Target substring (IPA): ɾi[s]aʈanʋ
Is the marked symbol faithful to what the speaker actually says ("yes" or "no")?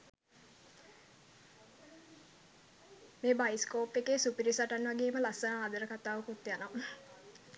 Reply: yes